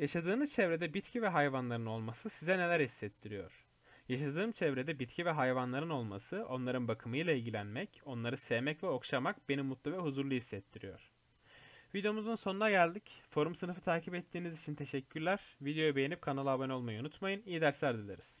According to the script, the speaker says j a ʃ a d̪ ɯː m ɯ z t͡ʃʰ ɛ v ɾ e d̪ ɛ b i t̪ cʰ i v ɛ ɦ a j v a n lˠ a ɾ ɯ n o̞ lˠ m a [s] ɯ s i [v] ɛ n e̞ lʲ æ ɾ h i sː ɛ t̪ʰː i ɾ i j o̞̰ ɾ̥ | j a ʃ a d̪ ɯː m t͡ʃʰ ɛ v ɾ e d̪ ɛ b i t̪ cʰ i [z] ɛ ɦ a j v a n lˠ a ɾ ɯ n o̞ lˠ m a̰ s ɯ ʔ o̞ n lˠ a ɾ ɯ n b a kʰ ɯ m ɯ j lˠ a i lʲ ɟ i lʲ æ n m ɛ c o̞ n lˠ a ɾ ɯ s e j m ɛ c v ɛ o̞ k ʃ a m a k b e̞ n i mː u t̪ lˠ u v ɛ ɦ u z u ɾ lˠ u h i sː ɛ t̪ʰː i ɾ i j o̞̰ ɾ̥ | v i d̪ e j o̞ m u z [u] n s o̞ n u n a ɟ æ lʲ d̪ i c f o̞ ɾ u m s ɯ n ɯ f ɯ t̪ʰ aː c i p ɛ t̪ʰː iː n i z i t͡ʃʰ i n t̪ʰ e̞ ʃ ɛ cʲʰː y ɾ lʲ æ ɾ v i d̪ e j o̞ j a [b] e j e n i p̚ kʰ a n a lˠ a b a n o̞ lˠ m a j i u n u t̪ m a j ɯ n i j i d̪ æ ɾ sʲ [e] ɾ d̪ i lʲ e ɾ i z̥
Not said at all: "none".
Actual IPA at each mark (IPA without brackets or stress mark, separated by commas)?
s, z, v, u, b, æ